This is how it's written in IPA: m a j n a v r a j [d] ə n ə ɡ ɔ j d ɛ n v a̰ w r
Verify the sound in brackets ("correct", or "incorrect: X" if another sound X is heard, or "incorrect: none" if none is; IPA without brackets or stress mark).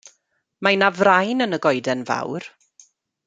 incorrect: n